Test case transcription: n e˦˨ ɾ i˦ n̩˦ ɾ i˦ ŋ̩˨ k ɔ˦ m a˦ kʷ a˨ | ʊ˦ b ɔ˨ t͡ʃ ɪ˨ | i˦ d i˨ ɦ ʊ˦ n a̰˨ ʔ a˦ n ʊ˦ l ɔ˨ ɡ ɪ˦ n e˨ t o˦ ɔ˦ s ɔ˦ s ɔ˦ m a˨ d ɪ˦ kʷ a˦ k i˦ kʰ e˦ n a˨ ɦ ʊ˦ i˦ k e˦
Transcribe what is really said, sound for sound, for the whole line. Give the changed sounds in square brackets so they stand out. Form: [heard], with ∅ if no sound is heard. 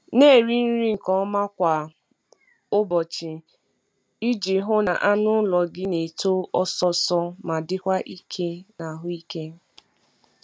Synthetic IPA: n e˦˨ ɾ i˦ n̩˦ ɾ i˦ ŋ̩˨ k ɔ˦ m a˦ kʷ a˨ | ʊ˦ b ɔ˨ t͡ʃ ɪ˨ | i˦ [d͡ʒ] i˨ ɦ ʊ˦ n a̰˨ ʔ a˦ n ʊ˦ l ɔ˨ ɡ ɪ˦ n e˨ t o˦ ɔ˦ s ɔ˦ s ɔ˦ m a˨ d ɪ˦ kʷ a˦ [ʔ] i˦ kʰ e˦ n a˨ ɦ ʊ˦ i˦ k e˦